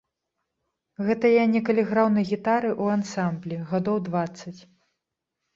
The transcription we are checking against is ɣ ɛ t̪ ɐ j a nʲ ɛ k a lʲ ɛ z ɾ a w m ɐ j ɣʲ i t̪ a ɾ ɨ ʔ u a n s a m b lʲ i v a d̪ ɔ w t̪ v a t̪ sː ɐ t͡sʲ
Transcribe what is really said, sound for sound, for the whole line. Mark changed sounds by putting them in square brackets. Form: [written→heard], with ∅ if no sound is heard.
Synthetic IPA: ɣ ɛ t̪ ɐ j a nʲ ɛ k [a→ɐ] lʲ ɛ [z→ɣ] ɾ a w [m→n] ɐ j ɣʲ i t̪ a ɾ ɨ ʔ u a n s a m b lʲ i [v→ɣ] a d̪ ɔ w [t̪→d̪] v a t̪ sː ɐ t͡sʲ